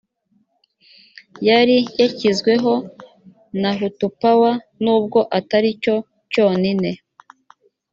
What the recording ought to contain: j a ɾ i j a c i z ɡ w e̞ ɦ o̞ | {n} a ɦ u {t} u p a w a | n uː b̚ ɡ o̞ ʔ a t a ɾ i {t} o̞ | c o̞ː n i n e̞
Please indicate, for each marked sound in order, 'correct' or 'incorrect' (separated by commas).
correct, correct, incorrect